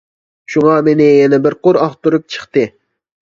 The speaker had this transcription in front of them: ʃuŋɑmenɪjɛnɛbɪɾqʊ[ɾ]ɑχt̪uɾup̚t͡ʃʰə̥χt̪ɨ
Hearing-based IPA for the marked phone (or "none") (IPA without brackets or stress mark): ɾ